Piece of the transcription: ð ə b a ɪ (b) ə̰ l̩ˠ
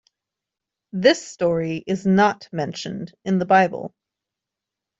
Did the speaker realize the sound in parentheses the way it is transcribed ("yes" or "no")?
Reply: yes